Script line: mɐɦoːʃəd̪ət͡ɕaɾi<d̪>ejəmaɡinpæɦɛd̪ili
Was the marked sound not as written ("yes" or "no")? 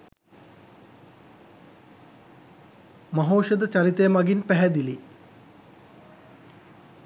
yes